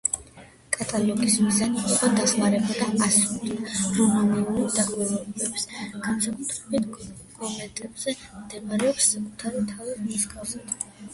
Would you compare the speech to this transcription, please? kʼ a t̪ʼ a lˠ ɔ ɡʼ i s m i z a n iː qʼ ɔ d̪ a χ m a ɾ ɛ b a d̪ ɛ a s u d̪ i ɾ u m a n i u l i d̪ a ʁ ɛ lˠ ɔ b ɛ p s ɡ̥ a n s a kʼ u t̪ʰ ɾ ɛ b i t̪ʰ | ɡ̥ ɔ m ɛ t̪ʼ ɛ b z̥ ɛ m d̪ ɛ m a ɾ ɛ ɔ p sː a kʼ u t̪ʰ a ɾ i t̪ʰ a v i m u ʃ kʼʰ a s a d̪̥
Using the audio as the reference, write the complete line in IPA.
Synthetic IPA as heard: kʼ a t̪ʼ a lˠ ɔ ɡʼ i s m i z a n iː qʼ ɔ d̪ a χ m a ɾ ɛ b a d̪ a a s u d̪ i ɾ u m a n i u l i d̪ a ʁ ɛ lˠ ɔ b ɛ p s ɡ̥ a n s a kʼ u t̪ʰ ɾ ɛ b i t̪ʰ | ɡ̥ ɔ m ɛ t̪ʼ ɛ b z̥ ɛ m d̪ ɛ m a ɾ ɛ ɔ p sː a kʼ u t̪ʰ a ɾ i t̪ʰ a v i m u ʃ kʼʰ a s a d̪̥